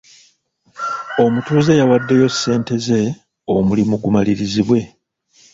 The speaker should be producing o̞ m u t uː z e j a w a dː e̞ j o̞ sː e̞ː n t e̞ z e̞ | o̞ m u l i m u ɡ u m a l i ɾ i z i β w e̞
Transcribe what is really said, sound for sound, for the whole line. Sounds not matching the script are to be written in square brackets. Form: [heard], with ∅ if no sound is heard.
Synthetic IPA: o̞ m u t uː z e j a w a dː e̞ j o̞ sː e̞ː n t e̞ z e̞ | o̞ m u l i m u ɡ u m a l i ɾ i z i β w e̞